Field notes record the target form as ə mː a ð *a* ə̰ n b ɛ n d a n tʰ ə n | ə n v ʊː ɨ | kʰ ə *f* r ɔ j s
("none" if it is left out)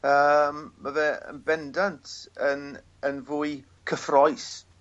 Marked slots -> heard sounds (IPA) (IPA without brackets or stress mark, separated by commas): ɛ, f